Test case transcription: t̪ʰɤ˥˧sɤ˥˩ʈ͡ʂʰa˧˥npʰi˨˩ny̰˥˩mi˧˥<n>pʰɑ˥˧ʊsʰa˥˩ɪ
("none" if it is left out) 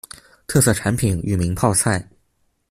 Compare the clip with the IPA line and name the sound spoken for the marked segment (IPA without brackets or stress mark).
ŋ